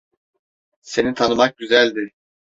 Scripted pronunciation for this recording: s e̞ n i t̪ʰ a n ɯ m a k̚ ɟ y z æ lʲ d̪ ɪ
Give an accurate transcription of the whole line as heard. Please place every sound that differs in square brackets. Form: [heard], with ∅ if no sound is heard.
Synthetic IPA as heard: s e̞ n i t̪ʰ a n ɯ m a k̚ ɟ y z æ lʲ d̪ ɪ